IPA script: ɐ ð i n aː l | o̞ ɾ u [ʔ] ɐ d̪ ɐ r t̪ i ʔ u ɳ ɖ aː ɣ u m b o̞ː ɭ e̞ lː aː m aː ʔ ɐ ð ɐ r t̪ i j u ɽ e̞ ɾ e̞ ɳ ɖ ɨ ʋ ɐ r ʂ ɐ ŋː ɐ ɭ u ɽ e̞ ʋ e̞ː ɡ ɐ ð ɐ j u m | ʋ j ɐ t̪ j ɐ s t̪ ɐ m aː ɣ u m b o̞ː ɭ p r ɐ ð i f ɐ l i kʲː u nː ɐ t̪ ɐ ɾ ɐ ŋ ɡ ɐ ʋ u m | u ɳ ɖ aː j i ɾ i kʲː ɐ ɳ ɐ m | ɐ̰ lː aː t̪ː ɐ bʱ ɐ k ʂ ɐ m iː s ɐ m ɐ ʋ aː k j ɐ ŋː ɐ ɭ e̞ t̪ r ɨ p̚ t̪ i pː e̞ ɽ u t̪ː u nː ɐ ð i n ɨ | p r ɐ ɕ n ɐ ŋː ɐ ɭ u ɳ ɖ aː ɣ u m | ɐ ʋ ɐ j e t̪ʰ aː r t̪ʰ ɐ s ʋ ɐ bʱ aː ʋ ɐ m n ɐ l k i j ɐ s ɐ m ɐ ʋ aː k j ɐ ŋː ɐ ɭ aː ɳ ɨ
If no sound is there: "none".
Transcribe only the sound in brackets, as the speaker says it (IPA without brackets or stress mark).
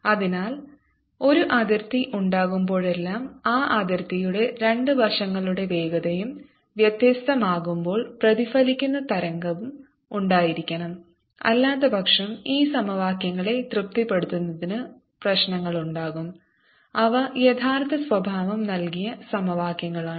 ʔ